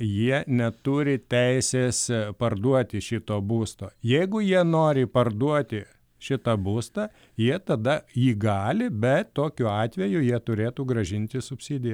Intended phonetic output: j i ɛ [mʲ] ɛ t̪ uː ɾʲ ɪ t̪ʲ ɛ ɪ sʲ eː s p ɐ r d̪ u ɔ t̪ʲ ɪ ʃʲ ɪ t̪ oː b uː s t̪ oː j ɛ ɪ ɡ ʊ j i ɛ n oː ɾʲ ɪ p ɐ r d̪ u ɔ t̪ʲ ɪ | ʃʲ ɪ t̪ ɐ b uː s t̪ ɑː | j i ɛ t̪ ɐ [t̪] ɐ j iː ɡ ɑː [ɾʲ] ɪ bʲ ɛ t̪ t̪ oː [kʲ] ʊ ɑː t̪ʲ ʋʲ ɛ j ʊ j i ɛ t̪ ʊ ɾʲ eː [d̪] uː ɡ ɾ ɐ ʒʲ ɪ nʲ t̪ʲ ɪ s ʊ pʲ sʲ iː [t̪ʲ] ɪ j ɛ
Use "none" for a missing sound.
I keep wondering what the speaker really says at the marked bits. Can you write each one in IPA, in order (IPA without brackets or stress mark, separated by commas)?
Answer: nʲ, d̪, lʲ, kʲ, t̪, d̪ʲ